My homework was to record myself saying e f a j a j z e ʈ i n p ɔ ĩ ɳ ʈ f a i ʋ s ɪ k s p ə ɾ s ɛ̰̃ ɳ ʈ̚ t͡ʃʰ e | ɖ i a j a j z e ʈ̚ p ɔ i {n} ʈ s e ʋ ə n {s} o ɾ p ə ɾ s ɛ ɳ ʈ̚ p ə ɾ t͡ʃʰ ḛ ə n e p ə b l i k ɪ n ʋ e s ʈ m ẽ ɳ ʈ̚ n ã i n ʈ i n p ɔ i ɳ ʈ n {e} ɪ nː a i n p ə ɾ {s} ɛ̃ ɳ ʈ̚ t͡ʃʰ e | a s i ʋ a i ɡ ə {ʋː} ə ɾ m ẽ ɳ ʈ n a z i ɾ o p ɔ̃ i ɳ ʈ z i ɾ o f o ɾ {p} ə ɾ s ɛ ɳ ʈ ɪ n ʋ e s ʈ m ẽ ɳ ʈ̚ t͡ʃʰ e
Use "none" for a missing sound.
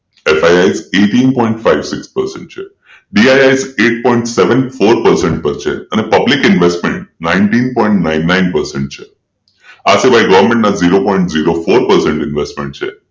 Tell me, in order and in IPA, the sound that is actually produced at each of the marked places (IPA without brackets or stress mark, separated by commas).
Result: ɳ, f, a, s, ʋ, p